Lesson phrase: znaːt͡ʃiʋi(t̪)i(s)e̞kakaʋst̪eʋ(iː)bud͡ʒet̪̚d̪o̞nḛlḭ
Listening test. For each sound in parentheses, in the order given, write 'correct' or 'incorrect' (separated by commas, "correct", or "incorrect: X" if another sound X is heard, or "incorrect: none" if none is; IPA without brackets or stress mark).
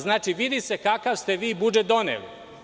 incorrect: d̪, correct, correct